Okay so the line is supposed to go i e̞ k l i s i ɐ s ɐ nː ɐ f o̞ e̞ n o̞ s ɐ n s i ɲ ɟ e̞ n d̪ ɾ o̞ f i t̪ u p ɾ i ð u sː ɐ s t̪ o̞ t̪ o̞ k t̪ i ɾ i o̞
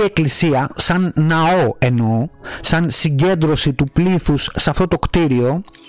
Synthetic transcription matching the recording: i e̞ k l i s i ɐ s ɐ nː ɐ o̞ e̞ n o̞ s ɐ n s i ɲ ɟ e̞ n d̪ ɾ o̞ s i t̪ u p l i θ u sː ɐ f t̪ o̞ t̪ o̞ k t̪ i ɾ i o̞